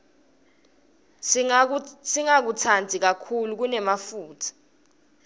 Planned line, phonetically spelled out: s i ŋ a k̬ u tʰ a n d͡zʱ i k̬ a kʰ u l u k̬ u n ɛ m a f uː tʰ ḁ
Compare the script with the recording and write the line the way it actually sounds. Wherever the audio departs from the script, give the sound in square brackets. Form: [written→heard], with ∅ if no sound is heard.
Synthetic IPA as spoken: s i ŋ a k̬ u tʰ a n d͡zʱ i k̬ a kʰ u l u k̬ u n ɛ m a f uː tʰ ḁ